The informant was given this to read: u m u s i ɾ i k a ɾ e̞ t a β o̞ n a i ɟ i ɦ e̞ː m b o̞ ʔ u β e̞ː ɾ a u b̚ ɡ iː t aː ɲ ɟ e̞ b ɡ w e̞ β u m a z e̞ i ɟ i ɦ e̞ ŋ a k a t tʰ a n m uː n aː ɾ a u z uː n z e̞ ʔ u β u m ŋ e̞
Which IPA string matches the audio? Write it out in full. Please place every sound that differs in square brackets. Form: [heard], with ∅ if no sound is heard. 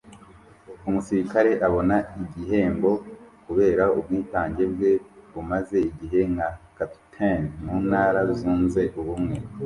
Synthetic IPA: u m u s i ɾ i k a ɾ e̞ [ʔ] a β o̞ n a i ɟ i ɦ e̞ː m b o̞ [k] u β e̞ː ɾ a u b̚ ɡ iː t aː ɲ ɟ e̞ b ɡ w e̞ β u m a z e̞ i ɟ i ɦ e̞ ŋ a k a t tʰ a n m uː n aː ɾ a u z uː n z e̞ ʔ u β u m ŋ e̞

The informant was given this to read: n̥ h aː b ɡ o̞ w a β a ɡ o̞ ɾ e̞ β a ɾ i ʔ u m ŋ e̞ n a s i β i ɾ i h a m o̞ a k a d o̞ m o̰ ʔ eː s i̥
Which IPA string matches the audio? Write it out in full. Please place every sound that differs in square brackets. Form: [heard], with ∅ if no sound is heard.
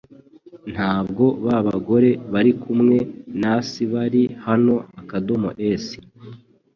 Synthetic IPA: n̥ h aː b ɡ o̞ [β] a β a ɡ o̞ ɾ e̞ β a ɾ i [k] u m ŋ e̞ n a s i β [a] ɾ i h a [n] o̞ a k a d o̞ m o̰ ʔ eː s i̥

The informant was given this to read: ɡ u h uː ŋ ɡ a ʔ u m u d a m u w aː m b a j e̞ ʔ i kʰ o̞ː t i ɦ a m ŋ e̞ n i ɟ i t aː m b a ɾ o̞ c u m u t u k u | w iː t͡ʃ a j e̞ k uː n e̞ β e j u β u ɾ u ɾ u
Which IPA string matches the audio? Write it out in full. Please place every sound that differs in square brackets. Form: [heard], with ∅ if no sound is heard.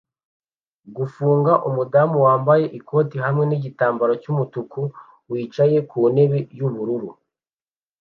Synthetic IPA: ɡ u [f] uː ŋ ɡ a ʔ u m u d a m u w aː m b a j e̞ ʔ i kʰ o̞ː t i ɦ a m ŋ e̞ n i ɟ i t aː m b a ɾ o̞ c u m u t u k u | w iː t͡ʃ a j e̞ k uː n e̞ β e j u β u ɾ u ɾ u

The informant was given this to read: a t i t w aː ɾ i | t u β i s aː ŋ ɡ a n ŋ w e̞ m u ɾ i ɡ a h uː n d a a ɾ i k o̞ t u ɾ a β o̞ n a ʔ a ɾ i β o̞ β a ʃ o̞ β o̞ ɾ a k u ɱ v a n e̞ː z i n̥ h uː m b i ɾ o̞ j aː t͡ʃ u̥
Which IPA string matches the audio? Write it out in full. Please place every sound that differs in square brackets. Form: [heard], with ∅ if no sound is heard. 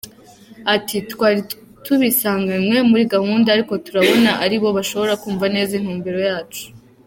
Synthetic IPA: a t i t w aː ɾ i | t u β i s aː ŋ ɡ a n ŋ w e̞ m u ɾ i ɡ a h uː n d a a ɾ i k o̞ t u ɾ a β o̞ n a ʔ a ɾ i β o̞ β a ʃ o̞ β o̞ ɾ a k [uː] ɱ v a n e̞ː z i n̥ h uː m b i ɾ o̞ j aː t͡ʃ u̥

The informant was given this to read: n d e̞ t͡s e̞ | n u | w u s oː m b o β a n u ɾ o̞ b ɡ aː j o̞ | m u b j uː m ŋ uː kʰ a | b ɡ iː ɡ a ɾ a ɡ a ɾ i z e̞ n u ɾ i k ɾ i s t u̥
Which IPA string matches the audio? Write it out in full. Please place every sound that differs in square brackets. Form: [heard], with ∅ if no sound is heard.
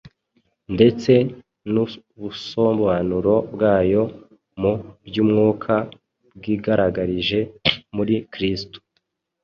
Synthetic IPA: n d e̞ t͡s e̞ | n u | [β] u s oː m b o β a n u ɾ o̞ b ɡ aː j o̞ | m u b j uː m ŋ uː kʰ a | b ɡ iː ɡ a ɾ a ɡ a ɾ i [ʒ] e̞ [m] u ɾ i k ɾ i s t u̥

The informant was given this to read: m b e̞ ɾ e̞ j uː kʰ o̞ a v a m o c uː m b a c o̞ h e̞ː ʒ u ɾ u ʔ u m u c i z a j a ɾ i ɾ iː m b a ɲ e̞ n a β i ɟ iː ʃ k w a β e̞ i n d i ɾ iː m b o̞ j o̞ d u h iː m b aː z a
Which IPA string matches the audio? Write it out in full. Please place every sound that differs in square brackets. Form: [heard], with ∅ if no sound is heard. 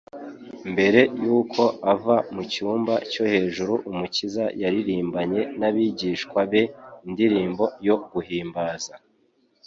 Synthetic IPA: m b e̞ ɾ e̞ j uː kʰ o̞ a v a m [u] c uː m b a c o̞ h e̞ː ʒ u ɾ u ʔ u m u c i z a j a ɾ i ɾ iː m b a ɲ e̞ n a β i ɟ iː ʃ k w a β e̞ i n d i ɾ iː m b o̞ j o̞ [ɡ] u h iː m b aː z a

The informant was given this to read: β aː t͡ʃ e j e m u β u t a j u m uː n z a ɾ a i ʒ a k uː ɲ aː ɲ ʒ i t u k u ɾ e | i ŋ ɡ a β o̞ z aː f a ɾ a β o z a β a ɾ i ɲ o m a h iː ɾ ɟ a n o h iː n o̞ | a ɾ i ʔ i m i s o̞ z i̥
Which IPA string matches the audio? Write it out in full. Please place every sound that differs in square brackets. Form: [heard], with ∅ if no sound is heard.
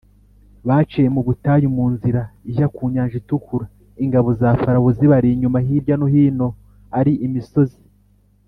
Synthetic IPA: β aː t͡ʃ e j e m u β u t a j u m uː n z [i] ɾ a i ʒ a k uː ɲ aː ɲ ʒ i t u k u ɾ [a] | i ŋ ɡ a β o̞ z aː f a ɾ a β o z [i] β a ɾ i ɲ [u] m a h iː ɾ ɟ a n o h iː n o̞ | a ɾ i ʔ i m i s o̞ z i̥

